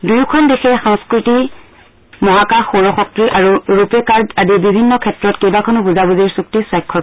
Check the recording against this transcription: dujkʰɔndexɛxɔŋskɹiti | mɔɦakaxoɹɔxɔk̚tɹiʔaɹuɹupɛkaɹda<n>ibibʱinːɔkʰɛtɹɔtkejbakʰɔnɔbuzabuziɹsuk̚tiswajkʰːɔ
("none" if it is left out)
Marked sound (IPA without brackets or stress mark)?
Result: d